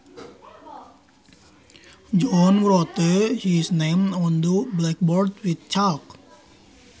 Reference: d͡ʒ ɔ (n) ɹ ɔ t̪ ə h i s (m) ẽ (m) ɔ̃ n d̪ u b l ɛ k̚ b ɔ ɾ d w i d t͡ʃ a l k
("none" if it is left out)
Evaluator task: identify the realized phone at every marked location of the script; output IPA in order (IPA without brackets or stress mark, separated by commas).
n, n, m